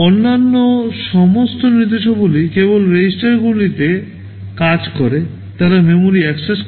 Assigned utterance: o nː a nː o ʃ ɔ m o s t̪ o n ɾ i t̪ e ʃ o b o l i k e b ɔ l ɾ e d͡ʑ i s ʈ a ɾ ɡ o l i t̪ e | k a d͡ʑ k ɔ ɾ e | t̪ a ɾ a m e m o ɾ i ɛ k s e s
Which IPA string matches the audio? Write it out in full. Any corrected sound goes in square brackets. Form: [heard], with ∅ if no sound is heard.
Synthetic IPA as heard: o nː a nː o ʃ ɔ m o s t̪ o n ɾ i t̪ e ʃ o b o l i k e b [o] l ɾ e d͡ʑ i s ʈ a ɾ ɡ [u] l i t̪ e | k a d͡ʑ k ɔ ɾ e | t̪ a ɾ a m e m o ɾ i ɛ k s e s